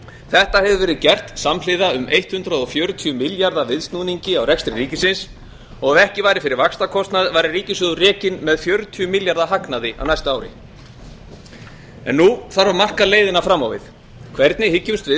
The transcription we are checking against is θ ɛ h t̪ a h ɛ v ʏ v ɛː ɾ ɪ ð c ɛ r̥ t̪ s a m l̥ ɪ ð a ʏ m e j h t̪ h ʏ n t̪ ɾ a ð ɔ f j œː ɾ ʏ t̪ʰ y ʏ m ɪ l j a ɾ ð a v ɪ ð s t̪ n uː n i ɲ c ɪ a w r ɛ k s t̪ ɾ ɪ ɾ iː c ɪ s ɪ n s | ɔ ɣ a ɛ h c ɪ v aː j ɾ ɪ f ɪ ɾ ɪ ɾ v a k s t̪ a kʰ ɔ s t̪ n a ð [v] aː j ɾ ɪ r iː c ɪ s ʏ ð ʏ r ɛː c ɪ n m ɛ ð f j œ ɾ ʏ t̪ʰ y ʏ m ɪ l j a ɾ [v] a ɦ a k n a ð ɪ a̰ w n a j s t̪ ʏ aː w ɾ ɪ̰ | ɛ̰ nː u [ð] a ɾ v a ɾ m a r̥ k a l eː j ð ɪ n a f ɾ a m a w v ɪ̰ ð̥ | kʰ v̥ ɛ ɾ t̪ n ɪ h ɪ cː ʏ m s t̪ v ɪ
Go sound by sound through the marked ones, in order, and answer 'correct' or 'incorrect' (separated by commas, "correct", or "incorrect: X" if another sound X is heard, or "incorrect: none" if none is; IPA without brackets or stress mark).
correct, incorrect: ð, incorrect: θ